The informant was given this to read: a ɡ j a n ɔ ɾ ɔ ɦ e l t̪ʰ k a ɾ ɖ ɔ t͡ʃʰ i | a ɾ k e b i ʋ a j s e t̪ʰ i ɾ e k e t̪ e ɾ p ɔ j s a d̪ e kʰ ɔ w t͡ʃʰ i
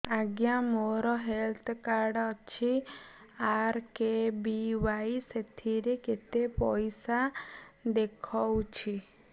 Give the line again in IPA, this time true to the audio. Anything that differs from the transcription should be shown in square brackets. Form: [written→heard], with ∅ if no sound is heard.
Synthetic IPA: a ɡ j a [n→m] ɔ ɾ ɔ ɦ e l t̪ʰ k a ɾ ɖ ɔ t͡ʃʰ i | a ɾ k e b i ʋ a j s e t̪ʰ i ɾ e k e t̪ e [ɾ→∅] p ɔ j s a d̪ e kʰ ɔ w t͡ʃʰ i